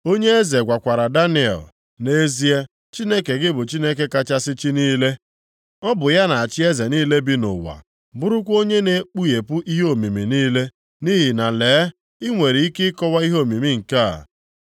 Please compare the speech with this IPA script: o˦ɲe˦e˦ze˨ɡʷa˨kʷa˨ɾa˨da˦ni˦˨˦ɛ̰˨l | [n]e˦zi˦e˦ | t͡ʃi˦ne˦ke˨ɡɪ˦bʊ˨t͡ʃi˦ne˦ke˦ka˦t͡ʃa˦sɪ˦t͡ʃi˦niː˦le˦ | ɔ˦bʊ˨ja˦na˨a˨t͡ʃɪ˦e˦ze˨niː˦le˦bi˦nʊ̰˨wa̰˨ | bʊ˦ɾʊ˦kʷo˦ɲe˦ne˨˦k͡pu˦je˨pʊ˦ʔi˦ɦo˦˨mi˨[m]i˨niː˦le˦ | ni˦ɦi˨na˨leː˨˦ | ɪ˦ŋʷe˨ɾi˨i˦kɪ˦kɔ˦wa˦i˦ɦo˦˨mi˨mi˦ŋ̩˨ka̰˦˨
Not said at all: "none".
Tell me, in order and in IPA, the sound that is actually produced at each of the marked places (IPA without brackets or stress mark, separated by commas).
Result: n, m